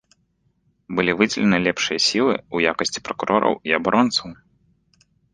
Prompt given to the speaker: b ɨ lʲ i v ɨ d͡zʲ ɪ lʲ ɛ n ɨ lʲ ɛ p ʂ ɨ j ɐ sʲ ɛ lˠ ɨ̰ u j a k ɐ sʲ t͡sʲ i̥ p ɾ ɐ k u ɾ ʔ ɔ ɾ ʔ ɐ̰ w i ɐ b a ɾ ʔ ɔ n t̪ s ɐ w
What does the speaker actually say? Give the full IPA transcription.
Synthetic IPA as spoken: b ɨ lʲ i v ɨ d͡zʲ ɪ lʲ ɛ n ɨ lʲ ɛ p ʂ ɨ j ɐ sʲ i lˠ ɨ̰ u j a k ɐ sʲ t͡sʲ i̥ p ɾ ɐ k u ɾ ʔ ɔ ɾ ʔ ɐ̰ w i ɐ b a ɾ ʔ ɔ n t̪ s ɐ w